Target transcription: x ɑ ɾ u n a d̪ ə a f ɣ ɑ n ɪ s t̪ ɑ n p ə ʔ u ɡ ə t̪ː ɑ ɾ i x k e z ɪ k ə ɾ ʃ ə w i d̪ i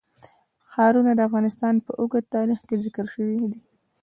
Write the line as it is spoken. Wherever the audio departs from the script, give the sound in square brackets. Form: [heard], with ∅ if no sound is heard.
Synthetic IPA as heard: x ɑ ɾ u n a d̪ ə a f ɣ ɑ n ɪ s t̪ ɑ n p ə ʔ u ɡ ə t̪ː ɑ ɾ i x k e z ɪ k ə ɾ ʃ ə w i d̪ i